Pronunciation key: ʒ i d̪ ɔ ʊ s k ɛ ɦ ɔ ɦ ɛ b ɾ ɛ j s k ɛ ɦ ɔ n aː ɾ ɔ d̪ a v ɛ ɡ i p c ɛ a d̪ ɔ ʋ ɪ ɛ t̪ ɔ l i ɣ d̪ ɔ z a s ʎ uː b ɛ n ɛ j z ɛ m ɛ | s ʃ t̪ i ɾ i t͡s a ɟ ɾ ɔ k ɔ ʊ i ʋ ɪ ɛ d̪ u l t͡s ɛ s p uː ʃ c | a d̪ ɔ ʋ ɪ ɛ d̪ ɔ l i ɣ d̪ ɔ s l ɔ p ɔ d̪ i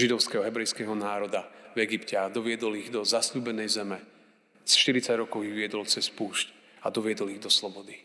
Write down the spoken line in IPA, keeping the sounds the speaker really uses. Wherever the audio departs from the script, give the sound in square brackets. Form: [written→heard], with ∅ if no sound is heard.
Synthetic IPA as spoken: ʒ i d̪ ɔ ʊ s k ɛ ɦ ɔ ɦ ɛ b ɾ ɛ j s k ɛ ɦ ɔ n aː ɾ ɔ d̪ a v ɛ ɡ i p c ɛ a d̪ ɔ ʋ ɪ ɛ [t̪→d̪] ɔ l i ɣ d̪ ɔ z a s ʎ uː b ɛ n ɛ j z ɛ m ɛ | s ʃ t̪ i ɾ i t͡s a ɟ ɾ ɔ k ɔ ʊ i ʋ ɪ ɛ d̪ [u→ɔ] l t͡s ɛ s p uː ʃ c | a d̪ ɔ ʋ ɪ ɛ d̪ ɔ l i ɣ d̪ ɔ s l ɔ [p→b] ɔ d̪ i